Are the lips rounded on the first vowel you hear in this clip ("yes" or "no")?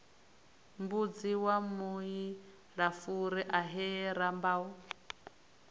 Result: yes